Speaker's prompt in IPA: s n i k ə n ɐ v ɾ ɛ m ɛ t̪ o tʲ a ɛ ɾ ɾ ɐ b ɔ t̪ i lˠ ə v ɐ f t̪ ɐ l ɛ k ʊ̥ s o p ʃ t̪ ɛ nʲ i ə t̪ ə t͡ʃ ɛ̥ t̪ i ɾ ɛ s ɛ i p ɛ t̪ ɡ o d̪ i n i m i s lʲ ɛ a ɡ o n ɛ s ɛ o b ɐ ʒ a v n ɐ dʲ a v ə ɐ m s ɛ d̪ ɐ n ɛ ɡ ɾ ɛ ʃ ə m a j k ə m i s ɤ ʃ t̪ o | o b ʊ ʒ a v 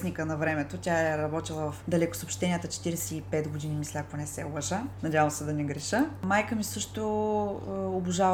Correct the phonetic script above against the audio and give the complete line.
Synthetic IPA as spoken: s n i k ə n ɐ v ɾ ɛ m ɛ t̪ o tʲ a ɛ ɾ ɾ ɐ b ɔ t̪ i lˠ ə v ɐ f d̪ ɐ l ɛ k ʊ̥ s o p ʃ t̪ ɛ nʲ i ə t̪ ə t͡ʃ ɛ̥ t̪ i ɾ ɛ s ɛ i p ɛ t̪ ɡ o d̪ i n i m i s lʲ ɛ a k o n ɛ s ɛ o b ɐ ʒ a n ɐ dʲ a v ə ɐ m s ɛ d̪ ɐ n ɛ ɡ ɾ ɛ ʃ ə m a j k ə m i s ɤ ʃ t̪ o | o b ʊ ʒ a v